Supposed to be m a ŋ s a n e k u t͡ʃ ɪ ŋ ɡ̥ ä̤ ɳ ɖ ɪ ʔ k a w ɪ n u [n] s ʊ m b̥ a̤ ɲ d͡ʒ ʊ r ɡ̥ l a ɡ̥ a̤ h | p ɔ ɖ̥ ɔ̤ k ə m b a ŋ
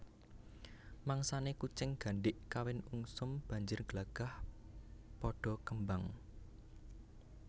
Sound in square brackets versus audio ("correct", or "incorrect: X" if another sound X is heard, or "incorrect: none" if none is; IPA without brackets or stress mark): incorrect: ŋ